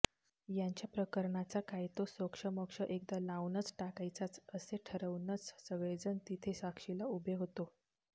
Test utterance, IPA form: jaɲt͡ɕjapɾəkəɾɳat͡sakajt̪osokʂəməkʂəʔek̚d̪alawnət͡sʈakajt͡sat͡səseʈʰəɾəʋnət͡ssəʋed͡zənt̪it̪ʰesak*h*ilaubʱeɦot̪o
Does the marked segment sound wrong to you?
yes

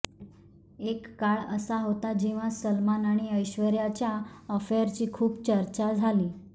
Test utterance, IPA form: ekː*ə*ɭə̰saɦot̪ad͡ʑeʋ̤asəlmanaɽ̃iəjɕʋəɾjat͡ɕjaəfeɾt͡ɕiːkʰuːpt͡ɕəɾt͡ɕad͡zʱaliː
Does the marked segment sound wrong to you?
yes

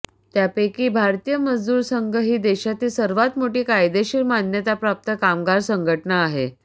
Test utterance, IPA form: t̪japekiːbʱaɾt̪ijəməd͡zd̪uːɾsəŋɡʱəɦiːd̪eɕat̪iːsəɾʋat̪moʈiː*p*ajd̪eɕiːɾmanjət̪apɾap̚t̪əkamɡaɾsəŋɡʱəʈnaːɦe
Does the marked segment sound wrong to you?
yes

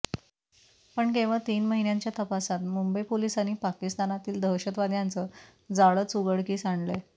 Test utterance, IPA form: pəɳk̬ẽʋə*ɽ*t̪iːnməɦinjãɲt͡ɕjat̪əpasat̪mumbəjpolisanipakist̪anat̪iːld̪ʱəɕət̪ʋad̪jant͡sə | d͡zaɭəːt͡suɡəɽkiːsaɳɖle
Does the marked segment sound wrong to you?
yes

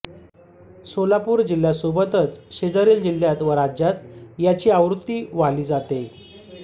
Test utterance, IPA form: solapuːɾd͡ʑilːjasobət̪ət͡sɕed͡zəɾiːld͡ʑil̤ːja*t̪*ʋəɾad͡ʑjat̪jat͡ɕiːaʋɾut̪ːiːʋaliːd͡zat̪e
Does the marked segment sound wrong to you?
no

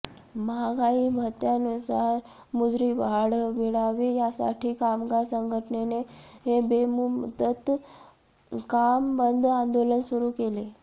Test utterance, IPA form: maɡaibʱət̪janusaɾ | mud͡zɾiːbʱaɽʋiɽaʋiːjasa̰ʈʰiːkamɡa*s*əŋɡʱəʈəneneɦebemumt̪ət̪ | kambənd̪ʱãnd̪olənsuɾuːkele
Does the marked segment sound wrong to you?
no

